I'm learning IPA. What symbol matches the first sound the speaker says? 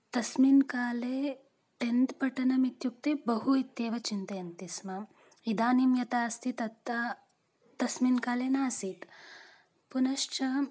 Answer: t̪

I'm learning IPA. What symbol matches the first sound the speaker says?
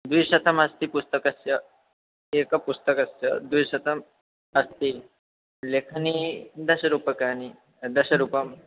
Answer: d̪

